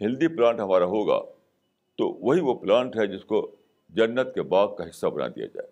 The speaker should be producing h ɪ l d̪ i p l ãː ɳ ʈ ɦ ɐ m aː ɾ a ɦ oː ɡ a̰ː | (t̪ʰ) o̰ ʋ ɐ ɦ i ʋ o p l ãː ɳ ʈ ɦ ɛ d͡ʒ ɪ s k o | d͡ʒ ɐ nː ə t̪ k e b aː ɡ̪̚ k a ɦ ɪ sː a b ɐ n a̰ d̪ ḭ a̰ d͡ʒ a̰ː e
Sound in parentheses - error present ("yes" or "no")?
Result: yes